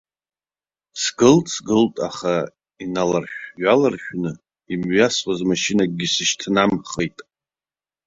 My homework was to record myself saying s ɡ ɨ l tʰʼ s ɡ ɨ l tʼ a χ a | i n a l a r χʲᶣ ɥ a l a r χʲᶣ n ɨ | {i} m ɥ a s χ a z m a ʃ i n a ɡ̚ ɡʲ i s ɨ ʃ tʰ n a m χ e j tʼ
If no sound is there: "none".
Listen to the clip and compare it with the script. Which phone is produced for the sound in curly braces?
i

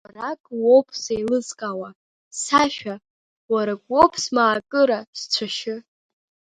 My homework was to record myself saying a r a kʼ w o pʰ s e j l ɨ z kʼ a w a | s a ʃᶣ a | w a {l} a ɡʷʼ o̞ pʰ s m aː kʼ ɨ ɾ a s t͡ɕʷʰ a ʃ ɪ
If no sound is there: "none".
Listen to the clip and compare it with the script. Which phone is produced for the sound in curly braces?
ɾ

